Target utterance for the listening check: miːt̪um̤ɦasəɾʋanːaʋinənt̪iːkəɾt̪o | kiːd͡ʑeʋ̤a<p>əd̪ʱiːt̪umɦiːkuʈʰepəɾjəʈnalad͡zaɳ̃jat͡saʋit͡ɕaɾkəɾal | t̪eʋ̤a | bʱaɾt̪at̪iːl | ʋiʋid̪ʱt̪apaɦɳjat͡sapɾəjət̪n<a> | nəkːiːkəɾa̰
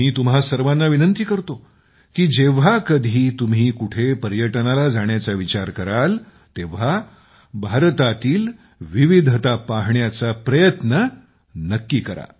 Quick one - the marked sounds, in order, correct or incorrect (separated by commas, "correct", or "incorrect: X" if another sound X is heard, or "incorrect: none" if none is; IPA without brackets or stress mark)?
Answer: incorrect: k, incorrect: ə